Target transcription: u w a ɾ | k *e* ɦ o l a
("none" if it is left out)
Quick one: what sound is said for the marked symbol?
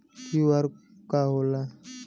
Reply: a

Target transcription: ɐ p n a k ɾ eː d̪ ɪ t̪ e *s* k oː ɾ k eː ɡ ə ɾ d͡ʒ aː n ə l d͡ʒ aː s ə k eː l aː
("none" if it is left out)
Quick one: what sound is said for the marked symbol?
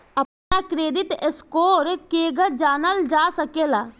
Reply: s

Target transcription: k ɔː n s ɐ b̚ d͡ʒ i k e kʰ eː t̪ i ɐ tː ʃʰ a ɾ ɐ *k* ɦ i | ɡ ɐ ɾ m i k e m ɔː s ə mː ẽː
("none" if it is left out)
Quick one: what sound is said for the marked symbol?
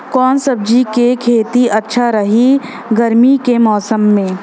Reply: none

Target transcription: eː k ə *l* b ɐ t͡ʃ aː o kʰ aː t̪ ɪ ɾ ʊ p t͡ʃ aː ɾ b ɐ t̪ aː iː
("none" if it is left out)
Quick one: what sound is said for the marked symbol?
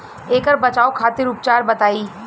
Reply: ɾ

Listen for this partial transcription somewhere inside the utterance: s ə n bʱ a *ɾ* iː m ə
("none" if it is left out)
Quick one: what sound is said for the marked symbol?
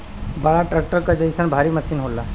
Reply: ɾ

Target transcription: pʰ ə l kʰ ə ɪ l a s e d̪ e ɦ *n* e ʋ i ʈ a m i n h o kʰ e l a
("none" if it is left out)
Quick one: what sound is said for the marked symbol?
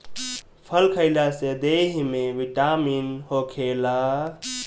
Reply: m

